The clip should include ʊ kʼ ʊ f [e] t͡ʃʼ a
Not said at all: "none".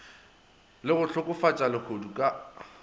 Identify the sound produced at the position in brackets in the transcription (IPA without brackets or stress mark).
a